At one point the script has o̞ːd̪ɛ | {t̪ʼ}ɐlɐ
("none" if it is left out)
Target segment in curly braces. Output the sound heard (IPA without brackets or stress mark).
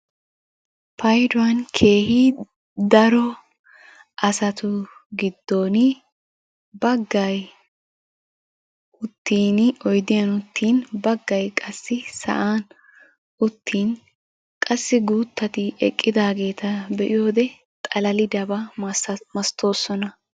t̪ʼ